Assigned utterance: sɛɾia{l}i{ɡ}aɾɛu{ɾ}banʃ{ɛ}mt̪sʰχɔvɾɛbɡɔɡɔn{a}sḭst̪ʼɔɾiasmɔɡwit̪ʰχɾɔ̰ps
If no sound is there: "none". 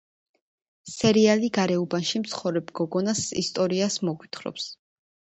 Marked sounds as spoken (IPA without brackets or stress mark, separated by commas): l, ɡ, none, i, a